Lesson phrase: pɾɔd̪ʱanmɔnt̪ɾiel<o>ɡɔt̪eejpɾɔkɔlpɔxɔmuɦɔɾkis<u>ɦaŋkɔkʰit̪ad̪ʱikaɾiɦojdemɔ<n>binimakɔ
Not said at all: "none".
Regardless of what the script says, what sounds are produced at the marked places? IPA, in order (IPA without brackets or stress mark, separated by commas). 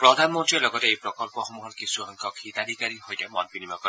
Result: ɔ, u, n